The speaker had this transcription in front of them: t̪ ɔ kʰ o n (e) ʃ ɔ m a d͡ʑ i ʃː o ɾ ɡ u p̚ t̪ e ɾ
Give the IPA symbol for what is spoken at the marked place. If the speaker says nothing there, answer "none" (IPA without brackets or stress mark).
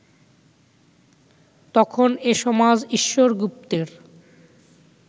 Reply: e